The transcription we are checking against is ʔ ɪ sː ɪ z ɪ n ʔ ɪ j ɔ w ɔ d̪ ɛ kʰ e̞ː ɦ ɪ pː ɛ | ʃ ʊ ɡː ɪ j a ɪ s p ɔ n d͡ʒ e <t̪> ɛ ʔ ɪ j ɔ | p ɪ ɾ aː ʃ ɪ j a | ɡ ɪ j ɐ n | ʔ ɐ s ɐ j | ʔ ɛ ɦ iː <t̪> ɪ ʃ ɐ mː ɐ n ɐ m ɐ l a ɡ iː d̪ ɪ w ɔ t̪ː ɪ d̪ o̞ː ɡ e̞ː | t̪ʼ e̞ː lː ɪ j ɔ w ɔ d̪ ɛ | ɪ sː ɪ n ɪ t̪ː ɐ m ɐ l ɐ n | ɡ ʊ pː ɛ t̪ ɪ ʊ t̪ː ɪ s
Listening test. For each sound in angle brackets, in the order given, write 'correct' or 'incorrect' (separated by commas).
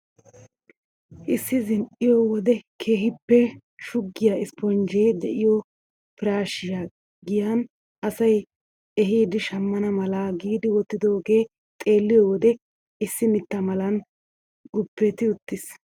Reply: incorrect, incorrect